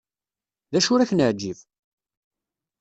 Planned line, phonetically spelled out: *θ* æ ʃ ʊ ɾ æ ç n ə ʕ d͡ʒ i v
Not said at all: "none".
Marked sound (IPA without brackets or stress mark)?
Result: ð